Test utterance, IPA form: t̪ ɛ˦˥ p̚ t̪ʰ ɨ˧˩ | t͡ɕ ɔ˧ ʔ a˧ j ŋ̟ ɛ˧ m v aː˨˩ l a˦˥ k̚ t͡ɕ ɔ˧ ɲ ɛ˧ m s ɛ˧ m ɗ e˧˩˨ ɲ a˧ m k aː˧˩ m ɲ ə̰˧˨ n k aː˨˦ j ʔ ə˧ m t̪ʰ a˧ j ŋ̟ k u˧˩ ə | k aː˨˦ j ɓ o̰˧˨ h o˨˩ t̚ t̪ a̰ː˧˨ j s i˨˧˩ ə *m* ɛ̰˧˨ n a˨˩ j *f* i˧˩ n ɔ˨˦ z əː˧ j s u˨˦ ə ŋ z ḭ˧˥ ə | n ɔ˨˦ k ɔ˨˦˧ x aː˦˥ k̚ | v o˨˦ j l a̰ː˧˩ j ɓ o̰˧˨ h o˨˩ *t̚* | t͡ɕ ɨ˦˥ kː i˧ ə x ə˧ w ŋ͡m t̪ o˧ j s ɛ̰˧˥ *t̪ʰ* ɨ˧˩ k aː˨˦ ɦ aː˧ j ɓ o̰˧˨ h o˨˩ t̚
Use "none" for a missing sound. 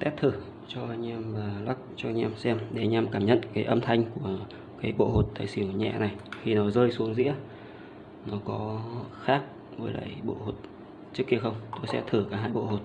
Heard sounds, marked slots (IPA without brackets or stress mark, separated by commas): ɲ, x, t̚, t̪ʰ